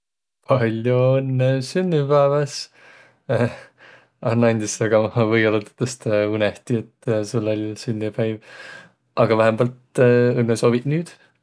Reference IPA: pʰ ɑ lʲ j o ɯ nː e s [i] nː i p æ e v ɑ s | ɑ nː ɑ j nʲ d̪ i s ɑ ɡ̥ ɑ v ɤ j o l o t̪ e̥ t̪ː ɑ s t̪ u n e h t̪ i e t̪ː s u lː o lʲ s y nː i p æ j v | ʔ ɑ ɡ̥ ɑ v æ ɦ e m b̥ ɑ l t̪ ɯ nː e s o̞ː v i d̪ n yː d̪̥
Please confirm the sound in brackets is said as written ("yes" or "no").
no